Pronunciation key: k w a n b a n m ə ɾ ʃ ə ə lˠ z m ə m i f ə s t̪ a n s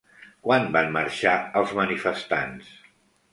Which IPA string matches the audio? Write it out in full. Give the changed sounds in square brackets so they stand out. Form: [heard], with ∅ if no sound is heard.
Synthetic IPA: k w a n b a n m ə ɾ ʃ [a] ə lˠ z m ə [n] i f ə s t̪ a n s